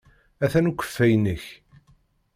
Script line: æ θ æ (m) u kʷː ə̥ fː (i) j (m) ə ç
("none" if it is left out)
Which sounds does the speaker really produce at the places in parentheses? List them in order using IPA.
n, æ, n

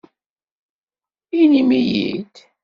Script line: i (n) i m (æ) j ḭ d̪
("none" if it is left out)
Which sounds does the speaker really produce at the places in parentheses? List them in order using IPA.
n, i

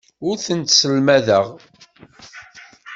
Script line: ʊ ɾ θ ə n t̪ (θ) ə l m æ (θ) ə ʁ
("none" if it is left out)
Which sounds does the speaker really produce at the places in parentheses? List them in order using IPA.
s, ð

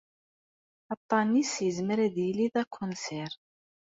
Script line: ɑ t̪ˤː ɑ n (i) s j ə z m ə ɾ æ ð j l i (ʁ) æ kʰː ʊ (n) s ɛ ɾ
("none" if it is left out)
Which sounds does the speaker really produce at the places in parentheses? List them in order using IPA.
i, ð, n

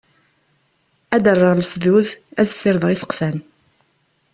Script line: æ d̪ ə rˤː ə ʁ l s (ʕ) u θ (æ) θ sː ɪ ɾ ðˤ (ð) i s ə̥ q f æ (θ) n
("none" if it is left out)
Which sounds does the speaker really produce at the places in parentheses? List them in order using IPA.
ð, æ, ʁ, none

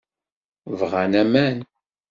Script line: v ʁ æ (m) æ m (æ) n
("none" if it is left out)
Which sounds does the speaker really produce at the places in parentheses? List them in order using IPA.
n, æ

